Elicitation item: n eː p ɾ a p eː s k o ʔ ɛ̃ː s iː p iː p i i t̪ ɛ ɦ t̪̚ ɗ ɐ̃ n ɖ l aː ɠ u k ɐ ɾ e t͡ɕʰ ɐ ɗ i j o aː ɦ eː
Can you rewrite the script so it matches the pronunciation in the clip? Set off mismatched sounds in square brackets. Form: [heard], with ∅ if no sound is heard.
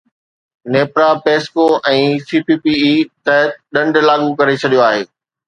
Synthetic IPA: n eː p ɾ a p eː s k o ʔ ɛ̃ː s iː p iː p i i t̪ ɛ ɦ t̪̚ ɗ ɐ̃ [ɳ] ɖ l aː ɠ u k ɐ ɾ e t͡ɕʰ ɐ ɗ i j o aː ɦ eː